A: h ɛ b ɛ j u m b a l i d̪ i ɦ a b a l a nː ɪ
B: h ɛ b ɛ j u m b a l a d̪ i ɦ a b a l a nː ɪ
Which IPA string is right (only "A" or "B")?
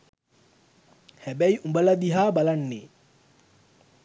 B